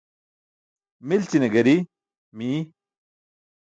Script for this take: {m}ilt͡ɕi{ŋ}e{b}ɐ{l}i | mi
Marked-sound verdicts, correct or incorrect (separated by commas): correct, incorrect, incorrect, incorrect